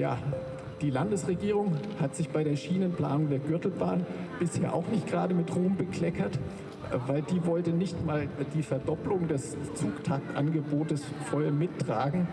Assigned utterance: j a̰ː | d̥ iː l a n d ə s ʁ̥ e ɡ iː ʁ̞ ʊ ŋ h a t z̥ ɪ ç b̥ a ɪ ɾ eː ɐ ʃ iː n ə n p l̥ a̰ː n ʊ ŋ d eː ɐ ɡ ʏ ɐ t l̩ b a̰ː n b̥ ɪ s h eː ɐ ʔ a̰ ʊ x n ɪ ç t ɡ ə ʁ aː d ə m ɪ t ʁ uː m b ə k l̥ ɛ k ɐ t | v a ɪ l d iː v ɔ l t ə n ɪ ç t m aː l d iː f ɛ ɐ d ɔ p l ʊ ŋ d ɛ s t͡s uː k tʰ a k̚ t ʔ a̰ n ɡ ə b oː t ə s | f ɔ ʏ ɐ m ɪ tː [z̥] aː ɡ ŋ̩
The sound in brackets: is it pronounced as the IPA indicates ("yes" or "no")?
no